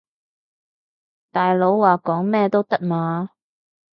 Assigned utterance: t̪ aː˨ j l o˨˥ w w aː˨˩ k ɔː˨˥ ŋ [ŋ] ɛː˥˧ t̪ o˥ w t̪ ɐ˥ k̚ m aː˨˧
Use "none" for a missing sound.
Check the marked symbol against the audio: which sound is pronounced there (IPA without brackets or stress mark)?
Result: m